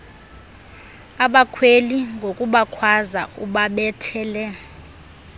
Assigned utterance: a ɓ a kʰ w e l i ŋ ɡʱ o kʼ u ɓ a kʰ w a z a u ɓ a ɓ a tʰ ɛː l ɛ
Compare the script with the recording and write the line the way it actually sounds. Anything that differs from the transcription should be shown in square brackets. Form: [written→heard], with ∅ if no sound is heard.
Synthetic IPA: a ɓ a kʰ w e l i ŋ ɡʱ o kʼ u ɓ a kʰ w a z a u ɓ a ɓ [a→ɛ] tʰ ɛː l ɛ